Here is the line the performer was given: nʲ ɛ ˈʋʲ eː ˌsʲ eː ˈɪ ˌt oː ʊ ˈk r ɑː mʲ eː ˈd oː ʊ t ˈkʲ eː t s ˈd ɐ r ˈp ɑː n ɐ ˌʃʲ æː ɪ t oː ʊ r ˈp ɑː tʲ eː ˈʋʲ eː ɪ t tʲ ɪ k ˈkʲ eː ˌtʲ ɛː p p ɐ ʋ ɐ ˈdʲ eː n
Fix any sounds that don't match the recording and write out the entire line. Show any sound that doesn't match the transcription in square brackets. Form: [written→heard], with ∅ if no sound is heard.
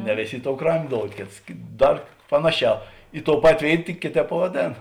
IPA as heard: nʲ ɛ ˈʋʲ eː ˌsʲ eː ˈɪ ˌt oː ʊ ˈk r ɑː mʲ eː ˈd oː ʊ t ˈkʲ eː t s ˈd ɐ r ˈp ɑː n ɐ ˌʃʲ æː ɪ t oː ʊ [r→∅] ˈp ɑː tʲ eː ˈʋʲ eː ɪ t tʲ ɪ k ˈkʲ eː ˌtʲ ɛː p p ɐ ʋ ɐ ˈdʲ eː n